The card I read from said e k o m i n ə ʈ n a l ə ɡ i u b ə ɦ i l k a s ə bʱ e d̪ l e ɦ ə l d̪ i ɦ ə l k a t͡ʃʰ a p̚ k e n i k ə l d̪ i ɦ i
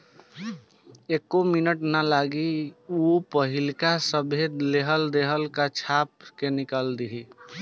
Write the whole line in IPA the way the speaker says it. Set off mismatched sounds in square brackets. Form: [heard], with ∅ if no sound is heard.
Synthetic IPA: e k o m i n ə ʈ n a l [a] ɡ i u [p] ə ɦ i l k a s ə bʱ e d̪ l e ɦ ə l d̪ [e] ɦ ə l k a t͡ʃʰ a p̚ k e n i k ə l d̪ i ɦ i